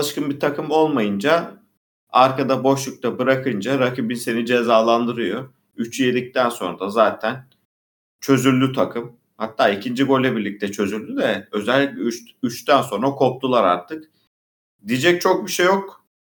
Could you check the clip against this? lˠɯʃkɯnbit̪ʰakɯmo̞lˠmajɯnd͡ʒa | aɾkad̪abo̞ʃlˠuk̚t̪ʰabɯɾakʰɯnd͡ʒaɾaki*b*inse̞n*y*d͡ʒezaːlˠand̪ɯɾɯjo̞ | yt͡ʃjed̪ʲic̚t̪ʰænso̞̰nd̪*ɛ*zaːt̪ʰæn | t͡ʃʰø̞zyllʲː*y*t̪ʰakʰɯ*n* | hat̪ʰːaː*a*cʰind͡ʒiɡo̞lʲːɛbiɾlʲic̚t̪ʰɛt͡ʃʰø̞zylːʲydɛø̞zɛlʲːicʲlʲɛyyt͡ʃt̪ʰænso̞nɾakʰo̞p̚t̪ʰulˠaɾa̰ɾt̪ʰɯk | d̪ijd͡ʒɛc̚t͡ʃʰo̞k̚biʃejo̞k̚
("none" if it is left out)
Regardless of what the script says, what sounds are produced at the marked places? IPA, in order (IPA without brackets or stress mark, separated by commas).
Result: b, i, a, y, m, i